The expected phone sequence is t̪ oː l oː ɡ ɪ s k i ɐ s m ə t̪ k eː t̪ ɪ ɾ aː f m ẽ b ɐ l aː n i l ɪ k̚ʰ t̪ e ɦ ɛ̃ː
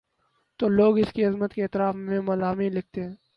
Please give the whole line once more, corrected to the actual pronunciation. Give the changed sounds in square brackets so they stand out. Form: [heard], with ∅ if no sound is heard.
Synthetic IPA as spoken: t̪ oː l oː ɡ ɪ s k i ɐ [z] m ə t̪ k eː t̪ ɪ ɾ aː f m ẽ [m] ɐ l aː [m] i l ɪ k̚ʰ t̪ e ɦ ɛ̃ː